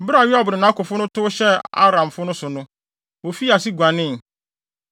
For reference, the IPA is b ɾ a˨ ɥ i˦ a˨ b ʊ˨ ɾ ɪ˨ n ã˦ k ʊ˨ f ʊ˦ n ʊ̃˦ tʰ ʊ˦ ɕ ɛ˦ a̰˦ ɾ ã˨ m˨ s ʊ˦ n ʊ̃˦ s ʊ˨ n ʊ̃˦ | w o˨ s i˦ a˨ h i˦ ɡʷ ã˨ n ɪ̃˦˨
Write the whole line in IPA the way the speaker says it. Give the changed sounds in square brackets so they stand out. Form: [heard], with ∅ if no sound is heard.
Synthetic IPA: b ɾ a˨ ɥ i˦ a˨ b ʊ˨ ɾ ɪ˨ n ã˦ k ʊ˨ f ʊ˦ n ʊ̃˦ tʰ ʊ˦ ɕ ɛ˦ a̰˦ ɾ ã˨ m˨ [f] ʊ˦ n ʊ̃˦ s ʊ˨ n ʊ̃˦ | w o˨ [f] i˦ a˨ [s] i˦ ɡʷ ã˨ n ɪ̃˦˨